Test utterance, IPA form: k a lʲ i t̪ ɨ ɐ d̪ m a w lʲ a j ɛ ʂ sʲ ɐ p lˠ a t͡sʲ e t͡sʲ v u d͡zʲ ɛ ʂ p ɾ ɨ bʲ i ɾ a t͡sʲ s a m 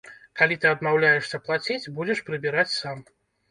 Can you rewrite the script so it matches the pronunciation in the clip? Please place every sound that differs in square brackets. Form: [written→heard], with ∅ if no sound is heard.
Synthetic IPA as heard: k a lʲ i t̪ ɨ ɐ d̪ m a w lʲ a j ɛ ʂ sʲ ɐ p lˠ a t͡sʲ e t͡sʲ [v→b] u d͡zʲ ɛ ʂ p ɾ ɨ bʲ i ɾ a t͡sʲ s a m